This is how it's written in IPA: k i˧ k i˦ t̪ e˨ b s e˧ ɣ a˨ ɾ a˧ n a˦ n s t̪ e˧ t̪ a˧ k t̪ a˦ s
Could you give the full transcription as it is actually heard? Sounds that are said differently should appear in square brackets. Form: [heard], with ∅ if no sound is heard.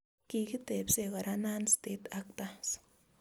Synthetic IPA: k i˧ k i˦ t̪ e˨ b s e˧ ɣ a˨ ɾ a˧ n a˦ n s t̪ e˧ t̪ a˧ k t̪ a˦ s